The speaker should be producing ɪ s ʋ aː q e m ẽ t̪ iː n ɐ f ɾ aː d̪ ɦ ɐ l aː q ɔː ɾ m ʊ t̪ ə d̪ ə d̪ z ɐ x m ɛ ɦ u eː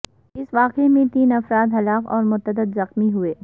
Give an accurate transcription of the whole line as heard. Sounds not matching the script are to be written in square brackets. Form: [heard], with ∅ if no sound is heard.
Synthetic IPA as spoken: ɪ s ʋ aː q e m ẽ t̪ iː n ɐ f ɾ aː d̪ ɦ ɐ l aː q ɔː ɾ m ʊ t̪ ə d̪ ə d̪ z ɐ x m [i] ɦ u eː